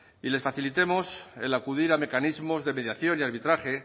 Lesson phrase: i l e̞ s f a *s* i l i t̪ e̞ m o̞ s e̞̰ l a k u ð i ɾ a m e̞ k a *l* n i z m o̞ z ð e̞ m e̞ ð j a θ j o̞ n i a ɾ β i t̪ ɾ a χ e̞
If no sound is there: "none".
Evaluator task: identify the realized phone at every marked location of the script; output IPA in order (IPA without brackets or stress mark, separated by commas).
θ, none